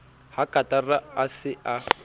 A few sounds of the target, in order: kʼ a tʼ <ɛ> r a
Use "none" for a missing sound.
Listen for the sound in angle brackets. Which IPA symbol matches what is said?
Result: a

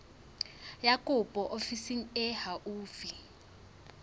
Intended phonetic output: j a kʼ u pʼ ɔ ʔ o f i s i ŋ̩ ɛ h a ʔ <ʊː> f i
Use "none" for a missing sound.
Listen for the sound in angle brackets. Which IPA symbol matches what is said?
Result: uː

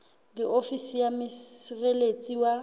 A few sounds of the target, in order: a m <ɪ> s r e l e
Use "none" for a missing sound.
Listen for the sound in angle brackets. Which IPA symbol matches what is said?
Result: ɪ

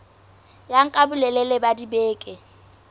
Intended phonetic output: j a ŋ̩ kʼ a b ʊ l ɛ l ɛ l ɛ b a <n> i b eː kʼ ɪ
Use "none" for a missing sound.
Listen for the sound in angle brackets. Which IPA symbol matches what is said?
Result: d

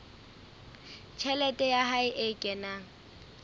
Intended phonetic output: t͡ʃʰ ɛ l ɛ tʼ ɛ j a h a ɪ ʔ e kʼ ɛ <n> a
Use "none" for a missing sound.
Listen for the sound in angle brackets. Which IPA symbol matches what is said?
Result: n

